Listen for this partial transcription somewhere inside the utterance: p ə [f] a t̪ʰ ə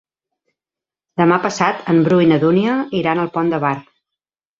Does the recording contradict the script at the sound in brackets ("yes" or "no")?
yes